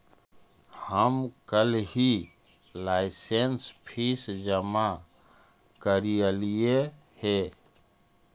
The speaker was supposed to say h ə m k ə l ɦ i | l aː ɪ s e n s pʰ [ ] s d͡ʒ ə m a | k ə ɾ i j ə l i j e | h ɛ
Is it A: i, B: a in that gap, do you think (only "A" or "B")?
A